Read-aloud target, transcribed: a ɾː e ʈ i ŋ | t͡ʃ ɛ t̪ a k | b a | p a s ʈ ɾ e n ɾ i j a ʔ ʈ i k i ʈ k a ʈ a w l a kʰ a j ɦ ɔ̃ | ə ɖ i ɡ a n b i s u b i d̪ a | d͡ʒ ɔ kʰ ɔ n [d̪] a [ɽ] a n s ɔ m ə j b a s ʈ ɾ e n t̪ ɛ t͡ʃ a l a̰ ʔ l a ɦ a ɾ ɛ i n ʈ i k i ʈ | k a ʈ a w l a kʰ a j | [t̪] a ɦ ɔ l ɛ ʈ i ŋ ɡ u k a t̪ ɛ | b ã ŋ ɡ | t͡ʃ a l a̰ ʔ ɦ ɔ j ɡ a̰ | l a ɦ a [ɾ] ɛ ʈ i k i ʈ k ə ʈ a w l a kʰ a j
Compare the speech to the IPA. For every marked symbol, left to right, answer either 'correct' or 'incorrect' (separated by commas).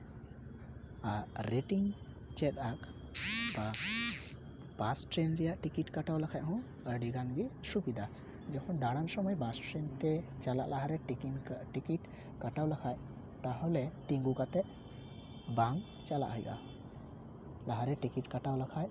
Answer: correct, correct, correct, correct